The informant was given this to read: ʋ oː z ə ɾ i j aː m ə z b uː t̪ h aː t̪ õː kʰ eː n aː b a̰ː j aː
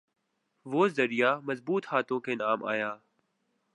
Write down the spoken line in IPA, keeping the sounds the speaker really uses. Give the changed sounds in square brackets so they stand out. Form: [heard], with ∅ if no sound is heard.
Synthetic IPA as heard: ʋ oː z ə ɾ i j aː m ə z b uː t̪ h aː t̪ õː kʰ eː n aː [m] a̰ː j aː

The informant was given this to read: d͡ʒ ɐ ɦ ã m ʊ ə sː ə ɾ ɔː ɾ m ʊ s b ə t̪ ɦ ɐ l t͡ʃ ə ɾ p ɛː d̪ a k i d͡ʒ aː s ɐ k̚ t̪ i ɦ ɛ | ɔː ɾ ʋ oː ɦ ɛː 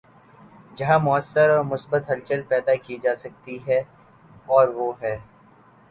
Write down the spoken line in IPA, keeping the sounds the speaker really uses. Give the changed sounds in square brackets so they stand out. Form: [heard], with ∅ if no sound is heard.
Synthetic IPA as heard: d͡ʒ ɐ ɦ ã m ʊ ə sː ə ɾ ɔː ɾ m ʊ s b ə t̪ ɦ ɐ l t͡ʃ ə [l] p ɛː d̪ a k i d͡ʒ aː s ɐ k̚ t̪ i ɦ ɛ | ɔː ɾ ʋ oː ɦ ɛː

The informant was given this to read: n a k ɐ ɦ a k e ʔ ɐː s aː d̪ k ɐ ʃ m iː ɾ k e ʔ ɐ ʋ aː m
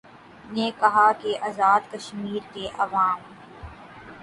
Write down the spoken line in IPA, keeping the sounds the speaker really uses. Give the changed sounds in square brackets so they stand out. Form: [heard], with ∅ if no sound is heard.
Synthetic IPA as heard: n [e] k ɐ ɦ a k e ʔ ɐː [z] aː d̪ k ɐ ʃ m iː ɾ k e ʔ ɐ ʋ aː m

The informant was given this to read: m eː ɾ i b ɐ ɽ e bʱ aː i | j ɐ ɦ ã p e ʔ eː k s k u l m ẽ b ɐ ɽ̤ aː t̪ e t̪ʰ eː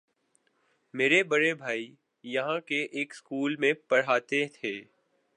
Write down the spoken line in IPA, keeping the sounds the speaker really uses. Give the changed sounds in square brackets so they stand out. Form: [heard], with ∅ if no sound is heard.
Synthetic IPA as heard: m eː ɾ [e] b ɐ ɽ e bʱ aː i | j ɐ ɦ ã [k] e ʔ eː k s k [uː] l m ẽ [p] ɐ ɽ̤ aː t̪ e t̪ʰ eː

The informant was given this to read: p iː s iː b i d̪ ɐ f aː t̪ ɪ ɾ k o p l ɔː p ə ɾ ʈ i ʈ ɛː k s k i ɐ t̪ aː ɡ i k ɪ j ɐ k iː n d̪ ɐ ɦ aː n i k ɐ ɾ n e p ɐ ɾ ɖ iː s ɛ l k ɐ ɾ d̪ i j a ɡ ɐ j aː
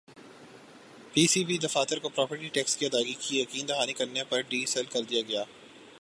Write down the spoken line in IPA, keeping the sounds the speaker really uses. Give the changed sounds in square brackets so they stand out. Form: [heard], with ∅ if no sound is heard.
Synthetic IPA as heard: p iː s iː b i d̪ ɐ f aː t̪ ɪ ɾ k o p [ɾ] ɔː p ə ɾ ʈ i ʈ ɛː k s k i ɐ [d̪] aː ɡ i k [i] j ɐ k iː n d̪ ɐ ɦ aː n i k ɐ ɾ n e p ɐ ɾ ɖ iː s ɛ l k ɐ ɾ d̪ i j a ɡ ɐ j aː

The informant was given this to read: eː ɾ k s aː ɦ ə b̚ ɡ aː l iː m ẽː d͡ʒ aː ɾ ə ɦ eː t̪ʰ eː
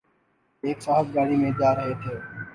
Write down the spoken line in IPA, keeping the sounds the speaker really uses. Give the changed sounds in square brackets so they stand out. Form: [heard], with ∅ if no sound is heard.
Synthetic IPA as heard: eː [∅] k s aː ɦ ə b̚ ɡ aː [ɽ] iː m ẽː d͡ʒ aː ɾ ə ɦ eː t̪ʰ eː

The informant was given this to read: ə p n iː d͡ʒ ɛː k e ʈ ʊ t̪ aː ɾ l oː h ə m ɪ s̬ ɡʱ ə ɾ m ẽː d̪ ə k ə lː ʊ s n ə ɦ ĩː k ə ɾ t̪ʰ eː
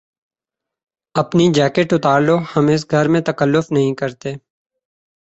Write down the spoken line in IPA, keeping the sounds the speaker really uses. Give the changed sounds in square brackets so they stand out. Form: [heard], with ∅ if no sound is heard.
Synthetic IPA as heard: ə p n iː d͡ʒ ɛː k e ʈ ʊ t̪ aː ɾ l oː h ə m ɪ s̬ ɡʱ ə ɾ m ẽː [t̪] ə k ə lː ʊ [f] n ə ɦ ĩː k ə ɾ [t̪] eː

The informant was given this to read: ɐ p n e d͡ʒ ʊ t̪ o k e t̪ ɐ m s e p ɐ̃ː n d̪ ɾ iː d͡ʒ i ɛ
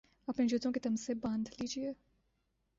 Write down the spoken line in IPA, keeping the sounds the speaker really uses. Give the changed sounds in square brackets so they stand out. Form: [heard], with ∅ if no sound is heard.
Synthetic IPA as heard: ɐ p n e d͡ʒ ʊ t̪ [õ] k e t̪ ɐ m s e [b] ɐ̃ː n d̪ [l] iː d͡ʒ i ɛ

